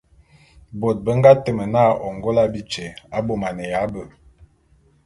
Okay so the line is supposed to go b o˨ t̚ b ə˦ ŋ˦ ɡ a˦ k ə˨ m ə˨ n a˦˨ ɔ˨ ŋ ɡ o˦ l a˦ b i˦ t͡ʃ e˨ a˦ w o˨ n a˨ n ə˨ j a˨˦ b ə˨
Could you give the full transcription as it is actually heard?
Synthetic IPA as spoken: b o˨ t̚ b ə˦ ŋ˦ ɡ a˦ t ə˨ m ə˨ n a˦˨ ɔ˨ ŋ ɡ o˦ l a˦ b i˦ t͡ʃ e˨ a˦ b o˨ m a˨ n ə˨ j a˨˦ b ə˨